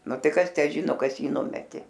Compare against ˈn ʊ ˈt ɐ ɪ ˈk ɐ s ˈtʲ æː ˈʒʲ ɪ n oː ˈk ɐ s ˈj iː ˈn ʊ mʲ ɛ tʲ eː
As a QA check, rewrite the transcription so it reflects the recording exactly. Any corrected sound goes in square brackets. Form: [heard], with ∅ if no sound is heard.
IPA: ˈn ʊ ˈt ɐ ɪ ˈk ɐ s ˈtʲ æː ˈʒʲ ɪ n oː ˈk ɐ s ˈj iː ˈn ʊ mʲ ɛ tʲ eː